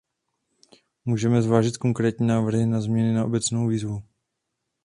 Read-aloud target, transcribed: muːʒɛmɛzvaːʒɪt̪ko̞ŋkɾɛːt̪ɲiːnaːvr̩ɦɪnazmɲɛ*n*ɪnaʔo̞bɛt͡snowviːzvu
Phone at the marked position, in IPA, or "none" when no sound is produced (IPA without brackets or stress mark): n